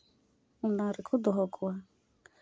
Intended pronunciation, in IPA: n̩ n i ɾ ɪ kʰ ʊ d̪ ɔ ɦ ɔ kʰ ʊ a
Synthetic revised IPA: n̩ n a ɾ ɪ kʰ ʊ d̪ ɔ ɦ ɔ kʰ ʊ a